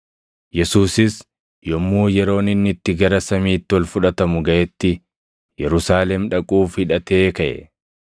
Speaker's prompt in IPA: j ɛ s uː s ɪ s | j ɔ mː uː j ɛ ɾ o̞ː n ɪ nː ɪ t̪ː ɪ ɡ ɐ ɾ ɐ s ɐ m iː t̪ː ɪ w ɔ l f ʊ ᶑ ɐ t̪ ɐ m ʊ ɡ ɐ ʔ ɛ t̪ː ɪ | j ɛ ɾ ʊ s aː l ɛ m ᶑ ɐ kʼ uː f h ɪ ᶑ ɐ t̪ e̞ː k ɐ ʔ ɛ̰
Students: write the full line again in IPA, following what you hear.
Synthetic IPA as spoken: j ɛ s uː s ɪ s | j ɔ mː uː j ɛ ɾ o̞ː n ɪ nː ɪ t̪ː ɪ ɡ ɐ ɾ ɐ s ɐ m iː t̪ː ɪ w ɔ l f ʊ ᶑ ɐ t̪ ɐ m ʊ ɡ ɐ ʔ ɛ t̪ː ɪ | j ɛ ɾ ʊ s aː l ɛ m ᶑ ɐ kʼ uː f h ɪ ᶑ ɐ t̪ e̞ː k ɐ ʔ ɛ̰